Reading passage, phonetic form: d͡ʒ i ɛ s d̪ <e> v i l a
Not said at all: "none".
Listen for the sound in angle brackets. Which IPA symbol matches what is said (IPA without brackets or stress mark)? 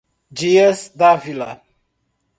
a